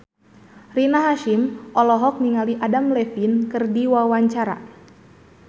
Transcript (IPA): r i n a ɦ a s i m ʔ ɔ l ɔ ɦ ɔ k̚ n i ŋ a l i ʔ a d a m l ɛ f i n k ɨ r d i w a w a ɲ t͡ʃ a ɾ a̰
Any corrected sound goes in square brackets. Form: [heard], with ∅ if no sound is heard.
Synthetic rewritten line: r i n a ɦ a [ʃ] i m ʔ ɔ l ɔ ɦ ɔ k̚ n i ŋ a l i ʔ a d a m l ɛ f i n k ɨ r d i w a w a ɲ t͡ʃ a ɾ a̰